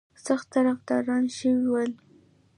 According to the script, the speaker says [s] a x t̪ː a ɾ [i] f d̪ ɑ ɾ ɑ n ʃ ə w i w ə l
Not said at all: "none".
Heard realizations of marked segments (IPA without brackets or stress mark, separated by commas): s, a